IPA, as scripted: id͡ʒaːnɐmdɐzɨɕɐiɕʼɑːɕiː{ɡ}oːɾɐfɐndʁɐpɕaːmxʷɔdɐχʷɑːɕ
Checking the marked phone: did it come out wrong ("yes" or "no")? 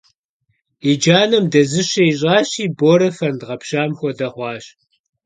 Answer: yes